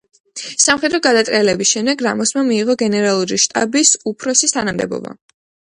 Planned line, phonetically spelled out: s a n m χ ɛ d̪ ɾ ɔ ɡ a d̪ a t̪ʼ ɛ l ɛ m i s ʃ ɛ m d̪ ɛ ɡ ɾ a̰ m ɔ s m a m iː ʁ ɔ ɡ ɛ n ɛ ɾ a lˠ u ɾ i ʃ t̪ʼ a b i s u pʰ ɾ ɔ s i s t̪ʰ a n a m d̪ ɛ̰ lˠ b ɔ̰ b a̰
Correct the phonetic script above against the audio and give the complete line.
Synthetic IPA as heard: s a m χ ɛ d̪ ɾ ɔ ɡ a d̪ a t̪ʼ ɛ l ɛ b i s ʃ ɛ m d̪ ɛ ɡ ɾ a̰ m ɔ s m a m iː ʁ ɔ ɡ ɛ n ɛ ɾ a lˠ u ɾ i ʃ t̪ʼ a b i s u pʰ ɾ ɔ s i s t̪ʰ a n a m d̪ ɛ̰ b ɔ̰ b a̰